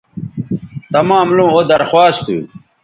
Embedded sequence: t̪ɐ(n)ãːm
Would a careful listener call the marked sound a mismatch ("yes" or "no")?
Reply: yes